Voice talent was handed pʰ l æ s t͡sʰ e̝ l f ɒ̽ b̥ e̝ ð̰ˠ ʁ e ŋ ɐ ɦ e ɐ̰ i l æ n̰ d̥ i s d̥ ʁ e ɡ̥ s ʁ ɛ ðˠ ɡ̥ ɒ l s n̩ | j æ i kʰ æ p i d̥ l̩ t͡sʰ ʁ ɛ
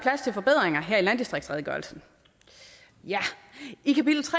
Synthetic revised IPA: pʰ l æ s t͡sʰ e̝ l f ɒ̽ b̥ e̝ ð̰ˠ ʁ e ŋ ɐ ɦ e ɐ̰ i l æ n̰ d̥ i s d̥ ʁ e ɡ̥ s ʁ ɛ ðˠ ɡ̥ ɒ l s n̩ | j æ i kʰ æ p i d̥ l̩ t͡sʰ ʁ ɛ